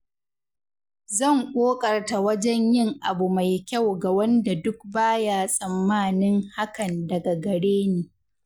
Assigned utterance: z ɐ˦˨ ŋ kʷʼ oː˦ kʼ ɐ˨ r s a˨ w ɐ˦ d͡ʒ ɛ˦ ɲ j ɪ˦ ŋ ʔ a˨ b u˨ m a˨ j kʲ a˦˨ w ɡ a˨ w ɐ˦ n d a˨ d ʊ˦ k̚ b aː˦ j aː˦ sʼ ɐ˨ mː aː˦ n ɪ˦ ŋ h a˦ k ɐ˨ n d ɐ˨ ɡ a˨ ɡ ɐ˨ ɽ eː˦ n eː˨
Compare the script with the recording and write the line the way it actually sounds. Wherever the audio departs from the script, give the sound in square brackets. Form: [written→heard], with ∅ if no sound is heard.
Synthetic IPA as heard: z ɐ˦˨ ŋ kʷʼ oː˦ kʼ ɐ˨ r [s→t] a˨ w ɐ˦ d͡ʒ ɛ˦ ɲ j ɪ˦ ŋ ʔ a˨ b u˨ m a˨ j kʲ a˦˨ w ɡ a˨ w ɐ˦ n d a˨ d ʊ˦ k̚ b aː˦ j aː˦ sʼ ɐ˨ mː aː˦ n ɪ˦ ŋ h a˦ k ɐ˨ n d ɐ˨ ɡ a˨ ɡ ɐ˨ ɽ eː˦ n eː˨